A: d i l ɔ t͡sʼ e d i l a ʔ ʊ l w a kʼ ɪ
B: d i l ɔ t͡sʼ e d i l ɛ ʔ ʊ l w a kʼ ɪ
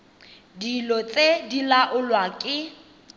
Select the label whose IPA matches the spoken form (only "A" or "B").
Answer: A